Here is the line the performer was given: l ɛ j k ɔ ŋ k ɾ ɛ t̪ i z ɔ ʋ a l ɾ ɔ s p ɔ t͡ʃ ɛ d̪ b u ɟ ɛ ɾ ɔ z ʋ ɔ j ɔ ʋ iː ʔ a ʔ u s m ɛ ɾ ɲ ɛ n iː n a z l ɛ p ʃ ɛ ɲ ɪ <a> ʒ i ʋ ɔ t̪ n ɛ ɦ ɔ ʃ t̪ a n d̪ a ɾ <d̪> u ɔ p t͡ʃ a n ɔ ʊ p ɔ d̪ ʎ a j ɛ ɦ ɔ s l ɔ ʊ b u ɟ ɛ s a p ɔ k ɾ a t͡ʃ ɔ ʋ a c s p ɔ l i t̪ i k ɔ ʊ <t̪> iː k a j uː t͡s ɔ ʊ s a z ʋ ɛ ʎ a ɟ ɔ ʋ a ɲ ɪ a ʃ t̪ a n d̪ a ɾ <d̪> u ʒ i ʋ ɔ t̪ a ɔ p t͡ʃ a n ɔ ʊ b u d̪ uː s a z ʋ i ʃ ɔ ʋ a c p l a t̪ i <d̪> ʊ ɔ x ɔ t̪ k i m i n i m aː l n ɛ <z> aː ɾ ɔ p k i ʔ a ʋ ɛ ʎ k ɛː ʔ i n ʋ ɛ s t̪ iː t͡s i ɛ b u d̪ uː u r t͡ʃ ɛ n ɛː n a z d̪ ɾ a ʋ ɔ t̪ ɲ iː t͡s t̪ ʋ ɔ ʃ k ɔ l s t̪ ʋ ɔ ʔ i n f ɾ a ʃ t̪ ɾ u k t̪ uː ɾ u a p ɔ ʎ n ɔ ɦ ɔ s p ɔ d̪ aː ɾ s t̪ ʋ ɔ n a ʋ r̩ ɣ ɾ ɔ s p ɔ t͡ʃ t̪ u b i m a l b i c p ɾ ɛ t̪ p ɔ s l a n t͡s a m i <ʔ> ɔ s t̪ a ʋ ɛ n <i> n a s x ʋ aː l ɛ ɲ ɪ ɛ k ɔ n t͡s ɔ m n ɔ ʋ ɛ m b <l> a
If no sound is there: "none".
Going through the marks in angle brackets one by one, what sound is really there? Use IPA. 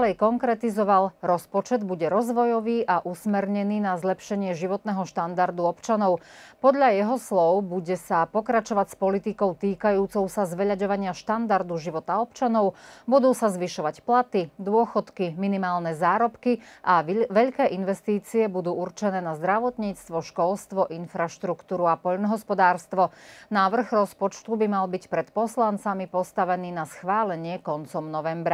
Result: ɛ, d̪, t̪, d̪, d̪, z, p, iː, ɾ

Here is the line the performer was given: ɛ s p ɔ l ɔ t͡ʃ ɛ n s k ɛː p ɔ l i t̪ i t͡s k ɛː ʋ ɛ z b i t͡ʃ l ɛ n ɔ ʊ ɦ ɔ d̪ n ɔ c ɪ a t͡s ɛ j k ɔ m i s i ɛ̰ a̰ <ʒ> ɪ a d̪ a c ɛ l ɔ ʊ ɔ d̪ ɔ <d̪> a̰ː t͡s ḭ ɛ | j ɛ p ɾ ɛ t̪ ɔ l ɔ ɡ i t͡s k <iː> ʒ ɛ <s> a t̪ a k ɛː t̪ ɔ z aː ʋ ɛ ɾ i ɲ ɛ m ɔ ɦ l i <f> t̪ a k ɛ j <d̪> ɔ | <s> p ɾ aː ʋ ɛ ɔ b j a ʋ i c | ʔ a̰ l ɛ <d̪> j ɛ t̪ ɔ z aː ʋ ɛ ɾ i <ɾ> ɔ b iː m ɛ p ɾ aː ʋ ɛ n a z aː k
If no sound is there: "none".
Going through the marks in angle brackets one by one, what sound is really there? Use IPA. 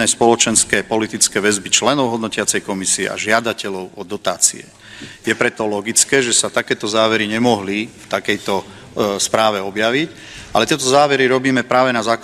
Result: ʒ, t̪, ɛː, s, f, t̪, s, t̪, ɾ

